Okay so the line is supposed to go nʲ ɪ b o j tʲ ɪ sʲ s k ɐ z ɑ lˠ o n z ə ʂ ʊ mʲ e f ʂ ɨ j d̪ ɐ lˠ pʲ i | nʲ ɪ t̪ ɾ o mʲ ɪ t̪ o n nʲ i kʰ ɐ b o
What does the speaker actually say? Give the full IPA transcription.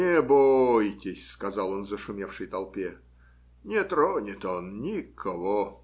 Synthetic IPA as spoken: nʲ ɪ b o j tʲ ɪ sʲ s k ɐ z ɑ lˠ o n z ə ʂ ʊ mʲ e f ʂ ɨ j t̪ ɐ lˠ pʲ e | nʲ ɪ t̪ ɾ o nʲ ɪ t̪ o n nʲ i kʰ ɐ v o